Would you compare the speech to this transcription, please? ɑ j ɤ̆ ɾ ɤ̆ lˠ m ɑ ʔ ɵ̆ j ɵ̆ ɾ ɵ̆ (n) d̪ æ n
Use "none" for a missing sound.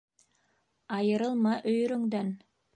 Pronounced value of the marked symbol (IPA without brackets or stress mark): ŋ